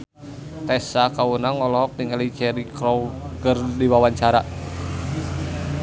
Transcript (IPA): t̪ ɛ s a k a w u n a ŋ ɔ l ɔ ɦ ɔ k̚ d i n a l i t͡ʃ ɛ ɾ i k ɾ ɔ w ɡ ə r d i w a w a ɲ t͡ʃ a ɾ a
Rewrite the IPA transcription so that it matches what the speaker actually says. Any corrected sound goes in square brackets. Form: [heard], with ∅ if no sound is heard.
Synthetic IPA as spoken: t̪ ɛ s a k a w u n a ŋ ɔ l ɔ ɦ ɔ k̚ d i [ŋ] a l i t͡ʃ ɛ ɾ i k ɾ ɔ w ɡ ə r d i w a w a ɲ t͡ʃ a ɾ a